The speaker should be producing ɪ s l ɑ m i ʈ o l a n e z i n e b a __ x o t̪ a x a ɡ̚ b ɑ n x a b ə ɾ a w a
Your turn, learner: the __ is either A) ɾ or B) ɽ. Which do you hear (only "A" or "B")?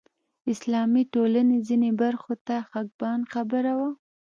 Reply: A